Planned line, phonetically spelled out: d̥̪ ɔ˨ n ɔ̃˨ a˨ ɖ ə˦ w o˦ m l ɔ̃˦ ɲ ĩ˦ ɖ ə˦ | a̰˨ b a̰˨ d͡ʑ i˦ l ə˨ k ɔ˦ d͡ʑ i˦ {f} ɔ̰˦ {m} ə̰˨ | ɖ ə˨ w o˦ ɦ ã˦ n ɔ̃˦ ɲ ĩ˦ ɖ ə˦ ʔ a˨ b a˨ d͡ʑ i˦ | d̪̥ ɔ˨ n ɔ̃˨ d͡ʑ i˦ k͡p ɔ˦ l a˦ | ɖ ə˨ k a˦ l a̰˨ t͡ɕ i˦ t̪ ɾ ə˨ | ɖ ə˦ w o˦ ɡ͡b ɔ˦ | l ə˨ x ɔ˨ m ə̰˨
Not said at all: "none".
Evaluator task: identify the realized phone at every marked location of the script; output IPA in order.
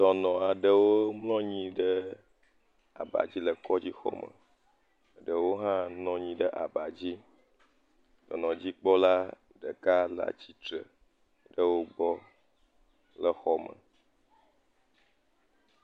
x, m

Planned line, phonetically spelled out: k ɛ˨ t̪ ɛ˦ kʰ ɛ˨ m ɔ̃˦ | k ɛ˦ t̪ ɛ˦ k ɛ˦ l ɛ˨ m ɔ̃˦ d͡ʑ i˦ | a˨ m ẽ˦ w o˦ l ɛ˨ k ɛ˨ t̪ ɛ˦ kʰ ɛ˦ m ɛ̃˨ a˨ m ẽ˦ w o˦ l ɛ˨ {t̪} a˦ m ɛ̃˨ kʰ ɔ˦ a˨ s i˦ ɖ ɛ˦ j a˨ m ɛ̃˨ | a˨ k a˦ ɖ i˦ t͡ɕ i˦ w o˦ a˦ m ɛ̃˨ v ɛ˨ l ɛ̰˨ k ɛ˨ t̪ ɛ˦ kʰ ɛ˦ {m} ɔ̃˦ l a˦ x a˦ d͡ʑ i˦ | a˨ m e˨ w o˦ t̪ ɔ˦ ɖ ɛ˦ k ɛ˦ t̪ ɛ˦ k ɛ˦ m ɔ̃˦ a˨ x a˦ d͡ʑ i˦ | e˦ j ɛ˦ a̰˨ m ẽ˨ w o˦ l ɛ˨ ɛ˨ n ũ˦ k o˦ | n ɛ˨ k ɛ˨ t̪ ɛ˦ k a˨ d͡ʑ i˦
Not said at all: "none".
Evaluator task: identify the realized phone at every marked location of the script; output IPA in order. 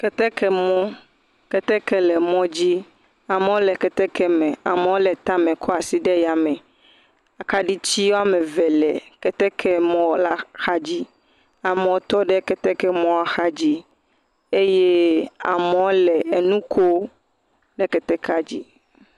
t̪, m

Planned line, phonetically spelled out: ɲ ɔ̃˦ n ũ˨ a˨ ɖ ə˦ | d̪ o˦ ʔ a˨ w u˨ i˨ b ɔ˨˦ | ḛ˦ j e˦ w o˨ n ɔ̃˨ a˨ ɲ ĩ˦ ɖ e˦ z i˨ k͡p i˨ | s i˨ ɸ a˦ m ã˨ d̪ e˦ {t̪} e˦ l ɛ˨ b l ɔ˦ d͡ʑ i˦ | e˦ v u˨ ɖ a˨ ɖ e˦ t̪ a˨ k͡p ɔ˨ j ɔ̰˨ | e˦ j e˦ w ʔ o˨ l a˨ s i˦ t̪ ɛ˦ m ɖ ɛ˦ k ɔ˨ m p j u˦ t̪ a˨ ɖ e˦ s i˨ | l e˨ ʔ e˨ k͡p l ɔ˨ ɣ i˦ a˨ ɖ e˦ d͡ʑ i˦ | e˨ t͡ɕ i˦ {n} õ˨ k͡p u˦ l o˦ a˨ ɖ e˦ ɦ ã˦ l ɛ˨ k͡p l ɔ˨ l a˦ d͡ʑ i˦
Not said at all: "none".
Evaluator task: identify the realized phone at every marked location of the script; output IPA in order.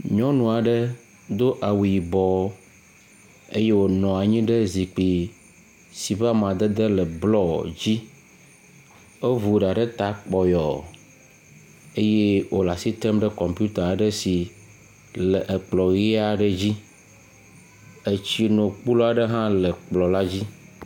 d̪, n

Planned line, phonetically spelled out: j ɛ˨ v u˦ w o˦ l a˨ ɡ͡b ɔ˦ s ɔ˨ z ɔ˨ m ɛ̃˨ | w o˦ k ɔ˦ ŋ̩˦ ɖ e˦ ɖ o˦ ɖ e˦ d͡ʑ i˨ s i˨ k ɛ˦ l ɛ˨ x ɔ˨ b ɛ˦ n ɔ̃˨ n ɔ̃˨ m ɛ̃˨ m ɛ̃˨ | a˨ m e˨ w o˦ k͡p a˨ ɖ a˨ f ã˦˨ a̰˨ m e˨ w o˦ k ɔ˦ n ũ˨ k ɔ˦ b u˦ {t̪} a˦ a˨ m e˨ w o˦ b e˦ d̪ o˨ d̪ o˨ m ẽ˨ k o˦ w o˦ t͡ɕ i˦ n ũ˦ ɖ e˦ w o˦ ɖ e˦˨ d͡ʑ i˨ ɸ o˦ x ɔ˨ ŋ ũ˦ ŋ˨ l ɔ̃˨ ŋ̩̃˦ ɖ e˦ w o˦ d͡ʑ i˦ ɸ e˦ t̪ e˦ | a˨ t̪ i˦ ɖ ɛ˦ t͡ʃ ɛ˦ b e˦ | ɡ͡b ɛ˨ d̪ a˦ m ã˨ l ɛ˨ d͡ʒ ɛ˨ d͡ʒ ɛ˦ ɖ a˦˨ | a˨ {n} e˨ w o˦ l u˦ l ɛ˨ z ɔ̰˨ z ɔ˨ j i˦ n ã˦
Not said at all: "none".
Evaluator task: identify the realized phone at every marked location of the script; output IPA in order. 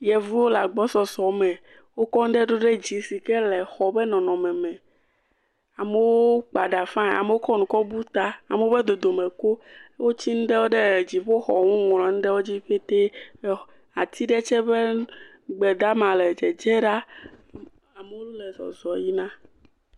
t̪, m

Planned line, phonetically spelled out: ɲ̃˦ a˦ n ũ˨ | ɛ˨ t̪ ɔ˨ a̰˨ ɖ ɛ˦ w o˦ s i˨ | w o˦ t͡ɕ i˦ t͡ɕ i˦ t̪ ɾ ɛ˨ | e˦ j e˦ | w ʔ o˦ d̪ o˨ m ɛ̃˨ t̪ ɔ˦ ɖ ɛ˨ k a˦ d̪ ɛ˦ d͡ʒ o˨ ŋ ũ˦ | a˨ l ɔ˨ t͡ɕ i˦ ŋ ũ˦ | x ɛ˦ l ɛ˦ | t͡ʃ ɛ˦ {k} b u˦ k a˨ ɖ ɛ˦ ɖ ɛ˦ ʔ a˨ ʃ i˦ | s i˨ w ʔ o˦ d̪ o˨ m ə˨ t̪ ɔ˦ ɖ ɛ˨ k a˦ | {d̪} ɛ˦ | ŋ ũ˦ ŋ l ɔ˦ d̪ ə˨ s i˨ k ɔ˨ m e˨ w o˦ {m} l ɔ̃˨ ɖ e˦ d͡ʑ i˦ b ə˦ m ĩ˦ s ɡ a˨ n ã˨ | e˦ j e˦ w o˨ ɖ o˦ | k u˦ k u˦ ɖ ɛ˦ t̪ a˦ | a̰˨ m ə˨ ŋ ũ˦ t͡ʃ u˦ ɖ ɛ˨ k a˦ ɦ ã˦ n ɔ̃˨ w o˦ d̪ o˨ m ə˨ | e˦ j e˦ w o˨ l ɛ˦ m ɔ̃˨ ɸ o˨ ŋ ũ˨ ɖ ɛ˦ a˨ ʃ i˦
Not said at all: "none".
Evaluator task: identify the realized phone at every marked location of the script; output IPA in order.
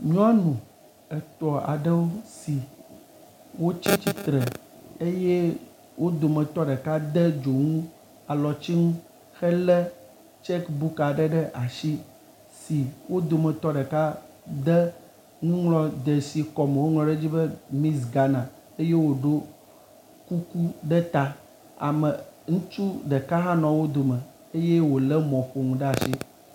k, d̪, ŋ

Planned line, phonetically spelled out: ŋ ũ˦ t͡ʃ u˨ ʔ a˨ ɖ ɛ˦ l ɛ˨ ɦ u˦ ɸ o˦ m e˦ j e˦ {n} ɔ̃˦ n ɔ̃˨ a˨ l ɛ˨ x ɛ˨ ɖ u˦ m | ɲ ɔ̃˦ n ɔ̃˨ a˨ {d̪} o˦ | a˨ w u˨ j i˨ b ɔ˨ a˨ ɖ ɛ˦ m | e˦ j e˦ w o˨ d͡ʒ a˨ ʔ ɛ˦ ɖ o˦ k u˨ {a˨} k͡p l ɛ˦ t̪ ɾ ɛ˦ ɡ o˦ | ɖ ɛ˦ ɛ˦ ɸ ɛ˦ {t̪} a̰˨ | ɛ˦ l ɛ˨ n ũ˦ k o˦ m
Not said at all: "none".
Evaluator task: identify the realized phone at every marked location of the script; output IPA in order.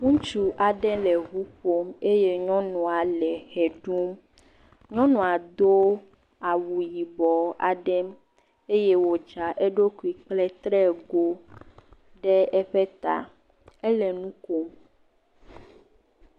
ɲ, d̪, i˨, t̪

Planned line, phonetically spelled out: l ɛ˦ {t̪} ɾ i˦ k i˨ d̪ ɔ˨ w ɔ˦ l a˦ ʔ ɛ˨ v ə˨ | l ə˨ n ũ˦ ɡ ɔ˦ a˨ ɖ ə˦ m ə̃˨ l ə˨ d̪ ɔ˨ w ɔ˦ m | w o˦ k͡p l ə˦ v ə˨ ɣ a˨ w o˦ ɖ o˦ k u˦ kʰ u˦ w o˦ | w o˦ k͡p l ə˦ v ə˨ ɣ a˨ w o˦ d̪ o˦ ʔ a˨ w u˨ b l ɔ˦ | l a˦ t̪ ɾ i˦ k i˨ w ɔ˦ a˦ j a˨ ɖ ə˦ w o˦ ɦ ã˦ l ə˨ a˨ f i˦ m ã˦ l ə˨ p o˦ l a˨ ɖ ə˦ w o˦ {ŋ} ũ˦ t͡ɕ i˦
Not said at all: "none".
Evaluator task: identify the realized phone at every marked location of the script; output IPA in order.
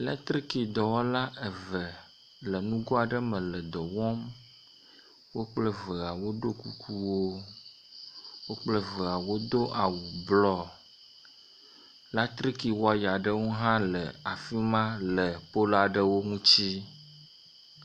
t̪, ŋ

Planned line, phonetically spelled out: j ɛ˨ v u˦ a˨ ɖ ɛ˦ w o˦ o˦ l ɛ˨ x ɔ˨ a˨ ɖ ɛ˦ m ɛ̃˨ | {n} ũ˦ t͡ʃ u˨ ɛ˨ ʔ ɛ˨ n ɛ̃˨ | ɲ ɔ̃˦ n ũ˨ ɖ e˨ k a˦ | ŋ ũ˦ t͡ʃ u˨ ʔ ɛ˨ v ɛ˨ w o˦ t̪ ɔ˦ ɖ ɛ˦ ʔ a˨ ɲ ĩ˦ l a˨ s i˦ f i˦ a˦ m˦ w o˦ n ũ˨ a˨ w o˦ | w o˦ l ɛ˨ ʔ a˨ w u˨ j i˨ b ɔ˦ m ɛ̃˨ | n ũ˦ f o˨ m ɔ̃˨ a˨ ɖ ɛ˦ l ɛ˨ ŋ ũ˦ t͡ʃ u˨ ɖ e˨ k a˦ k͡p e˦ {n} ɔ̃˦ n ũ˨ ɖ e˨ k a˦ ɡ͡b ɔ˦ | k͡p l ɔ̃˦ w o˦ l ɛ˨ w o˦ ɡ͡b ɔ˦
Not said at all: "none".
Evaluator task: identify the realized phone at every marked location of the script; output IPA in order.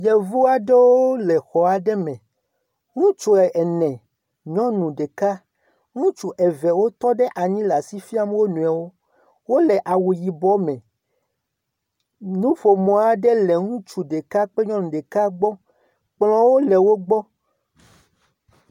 ŋ, ɲ

